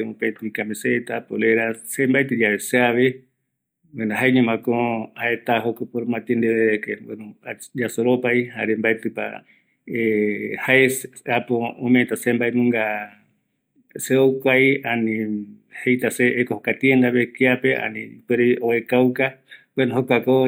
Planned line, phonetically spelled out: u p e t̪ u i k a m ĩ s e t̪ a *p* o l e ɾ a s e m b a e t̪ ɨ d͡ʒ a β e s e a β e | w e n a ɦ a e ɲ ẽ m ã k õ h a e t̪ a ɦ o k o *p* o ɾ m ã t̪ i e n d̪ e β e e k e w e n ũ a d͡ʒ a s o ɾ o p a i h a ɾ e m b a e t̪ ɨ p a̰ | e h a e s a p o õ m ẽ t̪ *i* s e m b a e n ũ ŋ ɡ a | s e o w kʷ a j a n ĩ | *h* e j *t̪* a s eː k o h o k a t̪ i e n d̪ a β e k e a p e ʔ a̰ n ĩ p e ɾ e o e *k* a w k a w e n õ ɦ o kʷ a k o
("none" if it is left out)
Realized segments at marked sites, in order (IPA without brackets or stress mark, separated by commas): p, p, a, h, t̪, k